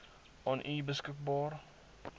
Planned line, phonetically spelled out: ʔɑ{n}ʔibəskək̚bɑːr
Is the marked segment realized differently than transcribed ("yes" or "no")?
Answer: no